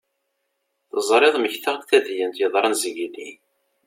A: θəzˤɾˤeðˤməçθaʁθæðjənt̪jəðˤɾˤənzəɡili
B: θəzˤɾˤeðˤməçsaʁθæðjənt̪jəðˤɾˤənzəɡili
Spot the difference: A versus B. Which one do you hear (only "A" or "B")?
A